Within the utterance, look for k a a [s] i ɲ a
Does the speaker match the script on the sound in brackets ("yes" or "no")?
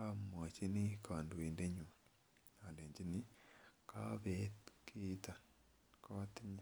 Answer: no